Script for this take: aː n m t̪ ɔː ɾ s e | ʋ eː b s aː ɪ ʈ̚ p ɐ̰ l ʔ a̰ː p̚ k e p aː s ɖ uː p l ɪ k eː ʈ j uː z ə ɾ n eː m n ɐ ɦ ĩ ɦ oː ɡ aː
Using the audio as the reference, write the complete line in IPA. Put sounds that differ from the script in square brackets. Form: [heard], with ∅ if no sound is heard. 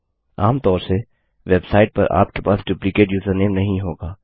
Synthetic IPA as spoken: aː [∅] m t̪ ɔː ɾ s e | ʋ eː b s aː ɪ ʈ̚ p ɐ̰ [ɾ] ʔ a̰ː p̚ k e p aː s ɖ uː p l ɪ k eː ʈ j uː z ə ɾ n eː m n ɐ ɦ ĩ ɦ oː ɡ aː